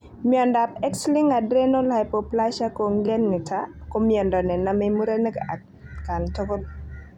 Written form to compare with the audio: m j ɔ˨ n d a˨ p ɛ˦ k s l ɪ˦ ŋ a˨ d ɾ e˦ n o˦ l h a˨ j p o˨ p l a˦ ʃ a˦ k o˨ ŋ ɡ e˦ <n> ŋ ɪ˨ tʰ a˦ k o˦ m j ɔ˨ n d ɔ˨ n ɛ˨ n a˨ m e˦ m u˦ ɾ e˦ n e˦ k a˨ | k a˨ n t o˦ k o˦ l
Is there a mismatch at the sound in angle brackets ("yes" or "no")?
no